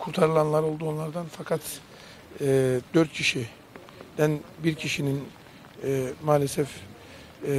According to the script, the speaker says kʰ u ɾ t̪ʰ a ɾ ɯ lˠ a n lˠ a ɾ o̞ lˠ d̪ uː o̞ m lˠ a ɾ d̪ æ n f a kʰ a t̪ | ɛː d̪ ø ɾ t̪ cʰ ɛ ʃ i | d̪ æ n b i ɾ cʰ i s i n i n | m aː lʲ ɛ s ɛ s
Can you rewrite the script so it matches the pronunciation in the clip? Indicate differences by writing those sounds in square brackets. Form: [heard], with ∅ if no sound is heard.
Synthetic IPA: kʰ u ɾ t̪ʰ a ɾ ɯ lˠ a n lˠ a ɾ o̞ lˠ d̪ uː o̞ [n] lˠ a ɾ d̪ [a] n f a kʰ a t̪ | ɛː d̪ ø ɾ t̪ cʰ [i] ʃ i | d̪ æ n b i ɾ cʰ i [ʃ] i n i n | m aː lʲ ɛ s ɛ [f]

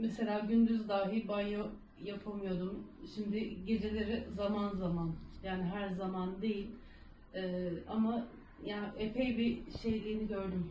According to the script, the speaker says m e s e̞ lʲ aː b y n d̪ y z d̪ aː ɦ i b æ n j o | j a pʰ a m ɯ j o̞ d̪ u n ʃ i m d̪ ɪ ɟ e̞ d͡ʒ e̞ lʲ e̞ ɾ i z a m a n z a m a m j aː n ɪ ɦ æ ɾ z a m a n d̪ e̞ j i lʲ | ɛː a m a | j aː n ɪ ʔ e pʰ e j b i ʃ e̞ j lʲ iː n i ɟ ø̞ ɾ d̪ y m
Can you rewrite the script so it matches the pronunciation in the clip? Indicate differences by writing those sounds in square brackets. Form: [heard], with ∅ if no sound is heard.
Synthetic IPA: m e s e̞ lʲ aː [ɟ] y n d̪ y z d̪ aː ɦ i b [a] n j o | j a pʰ a m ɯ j o̞ d̪ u [m] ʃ i m d̪ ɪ ɟ e̞ d͡ʒ e̞ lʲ e̞ ɾ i z a m a n z a m a [n] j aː n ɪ ɦ æ ɾ z a m a n d̪ e̞ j i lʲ | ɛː a m a | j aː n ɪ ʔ e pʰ e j b i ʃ e̞ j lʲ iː n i ɟ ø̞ ɾ d̪ y m

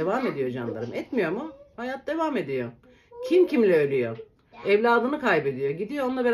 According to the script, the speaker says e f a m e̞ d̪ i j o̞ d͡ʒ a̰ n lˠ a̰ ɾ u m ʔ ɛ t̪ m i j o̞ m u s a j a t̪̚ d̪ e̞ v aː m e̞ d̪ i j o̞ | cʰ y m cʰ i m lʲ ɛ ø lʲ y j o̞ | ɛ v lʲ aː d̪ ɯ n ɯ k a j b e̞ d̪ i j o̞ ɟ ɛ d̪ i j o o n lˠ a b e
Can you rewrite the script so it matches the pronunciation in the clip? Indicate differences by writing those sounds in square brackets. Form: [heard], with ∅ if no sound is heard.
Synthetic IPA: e [v] a m e̞ d̪ i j o̞ d͡ʒ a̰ n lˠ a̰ ɾ [ɯ] m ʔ ɛ t̪ m i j o̞ m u [h] a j a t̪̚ d̪ e̞ v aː m e̞ d̪ i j o̞ | cʰ [i] m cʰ i m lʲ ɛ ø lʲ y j o̞ | ɛ v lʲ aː d̪ ɯ n ɯ k a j b e̞ d̪ i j o̞ ɟ [i] d̪ i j o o n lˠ a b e

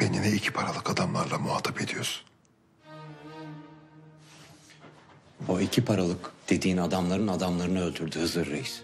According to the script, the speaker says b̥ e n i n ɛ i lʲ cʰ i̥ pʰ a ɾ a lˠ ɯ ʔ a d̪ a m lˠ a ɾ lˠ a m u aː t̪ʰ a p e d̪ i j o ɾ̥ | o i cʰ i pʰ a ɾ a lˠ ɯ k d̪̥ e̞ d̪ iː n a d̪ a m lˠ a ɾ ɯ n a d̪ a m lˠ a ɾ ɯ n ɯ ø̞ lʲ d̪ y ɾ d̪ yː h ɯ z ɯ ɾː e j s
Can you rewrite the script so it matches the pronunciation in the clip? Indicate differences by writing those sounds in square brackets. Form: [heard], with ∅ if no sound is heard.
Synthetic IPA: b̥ e n i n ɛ i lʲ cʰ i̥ pʰ a ɾ a lˠ ɯ [k] a d̪ a m lˠ a ɾ lˠ a m u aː t̪ʰ a p e d̪ i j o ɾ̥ | o i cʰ i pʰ a ɾ a lˠ ɯ k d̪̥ e̞ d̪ iː n a d̪ a m lˠ a ɾ ɯ n a d̪ a m lˠ a ɾ ɯ n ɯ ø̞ lʲ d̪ y ɾ d̪ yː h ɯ z ɯ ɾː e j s

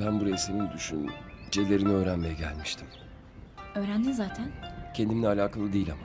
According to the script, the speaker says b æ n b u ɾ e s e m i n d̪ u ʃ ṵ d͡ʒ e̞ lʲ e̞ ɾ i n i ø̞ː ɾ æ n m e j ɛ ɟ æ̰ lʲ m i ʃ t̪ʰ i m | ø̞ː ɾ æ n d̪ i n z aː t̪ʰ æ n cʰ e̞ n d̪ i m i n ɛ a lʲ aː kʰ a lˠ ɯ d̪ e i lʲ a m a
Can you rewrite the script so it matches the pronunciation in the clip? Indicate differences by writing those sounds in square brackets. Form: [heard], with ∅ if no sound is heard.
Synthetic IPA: b æ n b u ɾ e s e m i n d̪ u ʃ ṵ d͡ʒ e̞ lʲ e̞ ɾ i n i ø̞ː ɾ æ n m e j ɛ ɟ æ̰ lʲ m i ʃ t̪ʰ i m | ø̞ː ɾ æ n d̪ i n z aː t̪ʰ æ n cʰ e̞ n d̪ i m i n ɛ a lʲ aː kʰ a lˠ ɯ d̪ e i lʲ a m a

